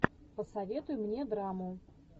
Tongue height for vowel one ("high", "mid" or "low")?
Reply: mid